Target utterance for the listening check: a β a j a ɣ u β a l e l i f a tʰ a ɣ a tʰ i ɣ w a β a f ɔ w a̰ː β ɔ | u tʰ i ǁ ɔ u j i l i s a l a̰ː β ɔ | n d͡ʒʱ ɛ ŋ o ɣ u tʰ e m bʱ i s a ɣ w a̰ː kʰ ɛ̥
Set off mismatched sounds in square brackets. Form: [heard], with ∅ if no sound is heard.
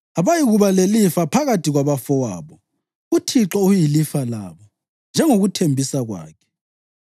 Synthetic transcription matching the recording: a β a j [i] ɣ u β a l e l i f a [pʰ] a ɣ a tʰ i ɣ w a β a f ɔ w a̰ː β ɔ | u tʰ i ǁ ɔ u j i l i [f] a l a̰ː β ɔ | n d͡ʒʱ ɛ ŋ o ɣ u tʰ e m bʱ i s a ɣ w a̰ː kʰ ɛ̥